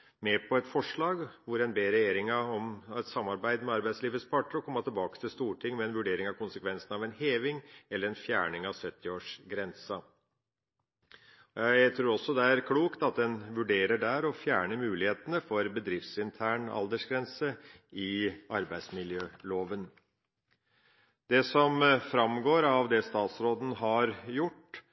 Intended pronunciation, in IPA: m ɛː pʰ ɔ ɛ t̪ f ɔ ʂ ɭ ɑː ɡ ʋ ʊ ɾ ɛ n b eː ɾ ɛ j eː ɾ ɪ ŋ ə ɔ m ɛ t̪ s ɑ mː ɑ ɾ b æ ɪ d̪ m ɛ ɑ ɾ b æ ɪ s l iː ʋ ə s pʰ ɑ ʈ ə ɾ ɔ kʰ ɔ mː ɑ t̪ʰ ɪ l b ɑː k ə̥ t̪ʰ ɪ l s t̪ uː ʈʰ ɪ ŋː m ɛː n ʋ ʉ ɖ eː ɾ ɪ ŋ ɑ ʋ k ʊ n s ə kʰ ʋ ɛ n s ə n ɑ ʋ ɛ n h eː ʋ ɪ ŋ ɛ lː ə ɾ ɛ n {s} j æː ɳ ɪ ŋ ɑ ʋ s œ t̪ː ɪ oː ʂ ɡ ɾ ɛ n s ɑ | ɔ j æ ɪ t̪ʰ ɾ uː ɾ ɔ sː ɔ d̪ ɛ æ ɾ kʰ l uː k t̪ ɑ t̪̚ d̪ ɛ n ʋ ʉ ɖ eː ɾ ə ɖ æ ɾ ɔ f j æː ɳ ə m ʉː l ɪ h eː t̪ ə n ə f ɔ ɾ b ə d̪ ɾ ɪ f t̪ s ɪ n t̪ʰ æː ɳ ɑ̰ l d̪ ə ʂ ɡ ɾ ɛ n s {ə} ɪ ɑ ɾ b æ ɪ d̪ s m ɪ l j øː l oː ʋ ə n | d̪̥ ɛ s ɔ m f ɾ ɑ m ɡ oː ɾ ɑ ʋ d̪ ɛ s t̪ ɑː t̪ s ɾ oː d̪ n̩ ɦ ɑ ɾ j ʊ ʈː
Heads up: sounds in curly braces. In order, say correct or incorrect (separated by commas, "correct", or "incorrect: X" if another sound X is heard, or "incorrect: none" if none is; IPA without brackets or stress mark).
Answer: incorrect: f, correct